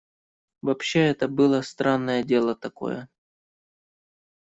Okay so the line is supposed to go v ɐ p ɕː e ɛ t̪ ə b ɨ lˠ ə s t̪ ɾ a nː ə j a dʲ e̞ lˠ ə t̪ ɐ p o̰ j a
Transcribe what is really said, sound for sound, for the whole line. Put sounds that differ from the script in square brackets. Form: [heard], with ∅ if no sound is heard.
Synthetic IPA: v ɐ p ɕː e ɛ t̪ ə b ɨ lˠ ə s t̪ ɾ a nː ə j [ə] dʲ e̞ lˠ ə t̪ ɐ [k] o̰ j [ə]

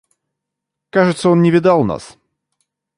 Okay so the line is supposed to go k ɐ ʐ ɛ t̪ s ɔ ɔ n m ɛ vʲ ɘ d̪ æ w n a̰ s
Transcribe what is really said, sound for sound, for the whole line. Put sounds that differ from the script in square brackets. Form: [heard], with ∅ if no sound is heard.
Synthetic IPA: k [a] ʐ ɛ t̪ s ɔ ɔ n [ɲ] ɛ vʲ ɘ d̪ [a] w n a̰ s

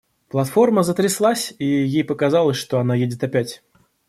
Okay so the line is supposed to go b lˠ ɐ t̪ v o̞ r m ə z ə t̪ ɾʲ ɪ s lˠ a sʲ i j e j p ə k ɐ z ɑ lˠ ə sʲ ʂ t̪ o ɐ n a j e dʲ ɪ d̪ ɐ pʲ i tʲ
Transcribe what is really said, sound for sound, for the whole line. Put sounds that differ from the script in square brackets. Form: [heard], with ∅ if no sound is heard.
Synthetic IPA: [p] lˠ ɐ t̪ [f] o̞ r m ə z ə t̪ ɾʲ ɪ s lˠ a sʲ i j e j p ə k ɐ z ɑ lˠ ə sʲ ʂ t̪ o ɐ n a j e dʲ ɪ [t̪] ɐ pʲ [æ] tʲ

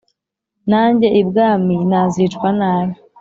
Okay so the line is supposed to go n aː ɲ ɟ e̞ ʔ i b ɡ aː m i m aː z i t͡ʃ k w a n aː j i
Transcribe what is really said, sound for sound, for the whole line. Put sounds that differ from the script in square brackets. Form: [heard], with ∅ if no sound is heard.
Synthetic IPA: n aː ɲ ɟ e̞ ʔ i b ɡ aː m i [n] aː z i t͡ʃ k w a n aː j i

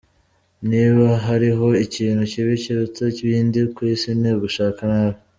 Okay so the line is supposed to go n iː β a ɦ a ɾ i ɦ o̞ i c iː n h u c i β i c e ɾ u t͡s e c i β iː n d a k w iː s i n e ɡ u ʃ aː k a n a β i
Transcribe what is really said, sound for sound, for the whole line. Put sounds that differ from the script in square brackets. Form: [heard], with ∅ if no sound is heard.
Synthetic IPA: n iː β a ɦ a ɾ i ɦ o̞ i c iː n h u c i β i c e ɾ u t͡s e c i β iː n d [i] k w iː s i n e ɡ u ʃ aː k a n a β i

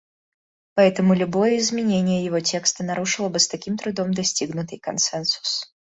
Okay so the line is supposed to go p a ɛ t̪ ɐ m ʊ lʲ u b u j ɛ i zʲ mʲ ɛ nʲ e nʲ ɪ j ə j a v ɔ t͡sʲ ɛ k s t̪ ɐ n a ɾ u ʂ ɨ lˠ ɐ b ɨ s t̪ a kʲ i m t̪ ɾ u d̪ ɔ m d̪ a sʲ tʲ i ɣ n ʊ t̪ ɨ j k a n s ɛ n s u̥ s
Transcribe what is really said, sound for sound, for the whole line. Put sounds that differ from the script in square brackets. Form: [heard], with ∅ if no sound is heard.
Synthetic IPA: p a ɛ t̪ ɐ m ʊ lʲ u b [ɔ] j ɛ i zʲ mʲ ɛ nʲ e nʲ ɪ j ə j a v ɔ t͡sʲ ɛ k s t̪ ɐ n a ɾ u ʂ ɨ lˠ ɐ b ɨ s t̪ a kʲ i m t̪ ɾ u d̪ ɔ m d̪ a sʲ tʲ i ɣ n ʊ t̪ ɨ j k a n s ɛ n s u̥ s

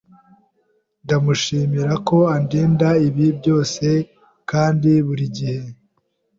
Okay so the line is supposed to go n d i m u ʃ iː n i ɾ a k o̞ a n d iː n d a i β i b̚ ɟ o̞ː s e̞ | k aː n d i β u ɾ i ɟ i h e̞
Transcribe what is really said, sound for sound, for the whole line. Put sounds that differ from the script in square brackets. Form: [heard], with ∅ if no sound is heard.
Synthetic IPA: n d [a] m u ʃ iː [m] i ɾ a k o̞ a n d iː n d a i β i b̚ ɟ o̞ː s e̞ | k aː n d i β u ɾ i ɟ i h e̞

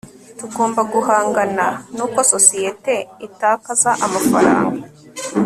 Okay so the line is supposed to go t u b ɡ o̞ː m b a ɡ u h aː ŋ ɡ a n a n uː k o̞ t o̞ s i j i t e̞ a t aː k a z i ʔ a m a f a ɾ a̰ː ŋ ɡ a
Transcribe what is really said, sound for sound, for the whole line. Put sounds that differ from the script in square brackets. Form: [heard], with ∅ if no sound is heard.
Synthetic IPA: t u [∅] ɡ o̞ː m b a ɡ u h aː ŋ ɡ a n a n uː k o̞ [s] o̞ s i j [e] t e̞ [i] t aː k a z [a] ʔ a m a f a ɾ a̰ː ŋ ɡ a

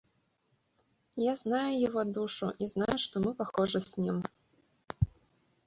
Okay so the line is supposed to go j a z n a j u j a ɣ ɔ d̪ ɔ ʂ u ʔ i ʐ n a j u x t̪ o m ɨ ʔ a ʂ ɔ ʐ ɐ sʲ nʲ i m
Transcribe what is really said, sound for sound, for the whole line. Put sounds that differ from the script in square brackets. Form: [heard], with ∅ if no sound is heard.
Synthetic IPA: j a z n a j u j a ɣ ɔ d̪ [u] ʂ u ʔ i [z] n a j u [ʂ] t̪ [ɔ] m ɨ [p] a [x] ɔ ʐ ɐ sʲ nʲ i m

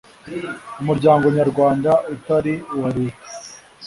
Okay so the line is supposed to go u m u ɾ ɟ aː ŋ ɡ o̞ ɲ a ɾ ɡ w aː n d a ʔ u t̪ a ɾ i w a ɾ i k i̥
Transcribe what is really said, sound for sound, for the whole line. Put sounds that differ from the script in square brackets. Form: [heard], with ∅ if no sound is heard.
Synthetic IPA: u m u ɾ ɟ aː ŋ ɡ o̞ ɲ a ɾ ɡ w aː n d a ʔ u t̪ a ɾ i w a ɾ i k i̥

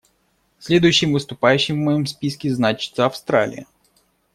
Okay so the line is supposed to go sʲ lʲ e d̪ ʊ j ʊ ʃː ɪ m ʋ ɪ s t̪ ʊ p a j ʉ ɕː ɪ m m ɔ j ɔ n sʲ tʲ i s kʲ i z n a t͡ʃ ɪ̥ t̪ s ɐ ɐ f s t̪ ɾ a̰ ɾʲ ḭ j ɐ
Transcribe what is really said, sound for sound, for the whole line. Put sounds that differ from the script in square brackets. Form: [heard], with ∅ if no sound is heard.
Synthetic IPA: sʲ lʲ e d̪ ʊ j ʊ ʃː ɪ m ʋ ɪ s t̪ ʊ p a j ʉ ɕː ɪ m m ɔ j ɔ [m] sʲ [pʲ] i s kʲ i z n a t͡ʃ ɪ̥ t̪ s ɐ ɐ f s t̪ ɾ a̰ [lʲ] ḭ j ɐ

